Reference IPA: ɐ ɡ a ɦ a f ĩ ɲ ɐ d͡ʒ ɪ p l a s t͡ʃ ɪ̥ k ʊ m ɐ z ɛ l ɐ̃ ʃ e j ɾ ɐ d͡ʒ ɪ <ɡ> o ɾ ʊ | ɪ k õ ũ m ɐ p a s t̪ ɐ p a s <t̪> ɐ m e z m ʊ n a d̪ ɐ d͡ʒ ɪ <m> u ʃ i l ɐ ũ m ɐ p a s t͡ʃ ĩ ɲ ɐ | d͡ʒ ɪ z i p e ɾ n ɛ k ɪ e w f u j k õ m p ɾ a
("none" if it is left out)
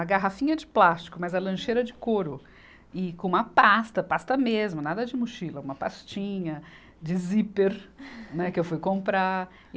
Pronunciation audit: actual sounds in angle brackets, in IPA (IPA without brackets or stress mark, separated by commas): k, t̪, m